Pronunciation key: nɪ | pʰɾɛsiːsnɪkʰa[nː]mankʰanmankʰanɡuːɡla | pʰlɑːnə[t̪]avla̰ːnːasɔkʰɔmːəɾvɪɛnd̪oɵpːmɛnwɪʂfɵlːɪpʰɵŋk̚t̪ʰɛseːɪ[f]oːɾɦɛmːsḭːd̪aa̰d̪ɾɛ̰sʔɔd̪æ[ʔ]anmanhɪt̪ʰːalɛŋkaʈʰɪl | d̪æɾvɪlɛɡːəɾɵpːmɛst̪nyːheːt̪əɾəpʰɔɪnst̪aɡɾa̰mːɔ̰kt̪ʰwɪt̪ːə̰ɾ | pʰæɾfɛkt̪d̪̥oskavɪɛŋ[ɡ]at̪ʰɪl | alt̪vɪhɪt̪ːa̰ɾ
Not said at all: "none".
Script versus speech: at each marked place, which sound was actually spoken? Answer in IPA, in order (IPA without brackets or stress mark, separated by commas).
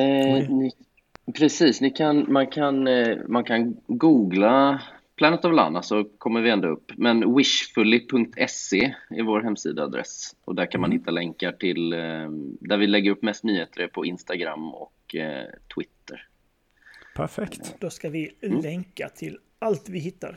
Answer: n, t̪, v, k, k